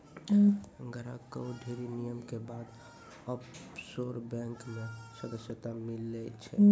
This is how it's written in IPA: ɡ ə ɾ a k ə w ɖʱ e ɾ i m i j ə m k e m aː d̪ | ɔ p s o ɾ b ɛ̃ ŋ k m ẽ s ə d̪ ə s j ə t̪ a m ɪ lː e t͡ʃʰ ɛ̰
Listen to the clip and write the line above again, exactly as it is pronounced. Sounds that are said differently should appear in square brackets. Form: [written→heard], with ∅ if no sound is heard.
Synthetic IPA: ɡ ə ɾ a k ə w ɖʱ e ɾ i [m→n] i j ə m k e [m→b] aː d̪ | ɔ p s o ɾ b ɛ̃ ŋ k m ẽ s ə d̪ ə s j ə t̪ a m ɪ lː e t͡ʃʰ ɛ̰